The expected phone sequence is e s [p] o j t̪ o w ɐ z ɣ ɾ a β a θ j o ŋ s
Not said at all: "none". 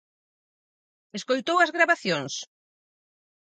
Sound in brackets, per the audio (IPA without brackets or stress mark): k